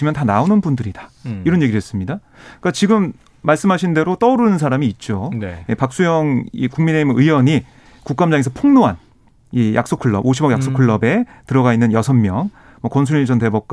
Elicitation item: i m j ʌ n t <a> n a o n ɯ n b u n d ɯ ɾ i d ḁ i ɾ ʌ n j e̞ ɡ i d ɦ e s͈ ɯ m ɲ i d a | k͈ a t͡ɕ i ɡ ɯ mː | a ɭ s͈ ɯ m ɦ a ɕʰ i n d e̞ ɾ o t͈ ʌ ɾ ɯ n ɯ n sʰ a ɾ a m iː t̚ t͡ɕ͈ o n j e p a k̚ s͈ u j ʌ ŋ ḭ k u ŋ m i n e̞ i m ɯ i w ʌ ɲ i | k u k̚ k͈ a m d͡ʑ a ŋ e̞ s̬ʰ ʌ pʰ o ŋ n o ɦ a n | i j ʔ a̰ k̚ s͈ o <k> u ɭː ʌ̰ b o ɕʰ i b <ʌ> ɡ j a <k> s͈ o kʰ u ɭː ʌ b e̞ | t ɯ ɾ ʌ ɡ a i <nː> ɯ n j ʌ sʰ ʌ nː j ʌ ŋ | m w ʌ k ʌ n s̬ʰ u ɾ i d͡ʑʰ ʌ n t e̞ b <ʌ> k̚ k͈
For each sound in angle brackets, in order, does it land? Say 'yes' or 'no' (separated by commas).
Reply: yes, no, yes, yes, yes, yes